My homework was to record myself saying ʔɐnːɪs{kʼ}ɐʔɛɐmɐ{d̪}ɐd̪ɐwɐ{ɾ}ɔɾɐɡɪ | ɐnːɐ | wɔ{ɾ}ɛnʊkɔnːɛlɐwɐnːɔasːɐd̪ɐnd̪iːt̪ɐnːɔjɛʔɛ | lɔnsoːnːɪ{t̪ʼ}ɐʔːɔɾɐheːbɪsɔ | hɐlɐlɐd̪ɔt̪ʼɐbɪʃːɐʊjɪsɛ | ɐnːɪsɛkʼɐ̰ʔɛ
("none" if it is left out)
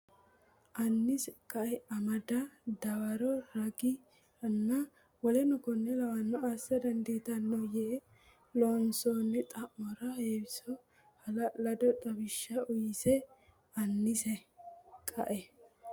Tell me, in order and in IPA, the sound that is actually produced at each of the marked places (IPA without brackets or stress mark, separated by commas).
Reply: kʼ, d̪, ɾ, l, t̪ʼ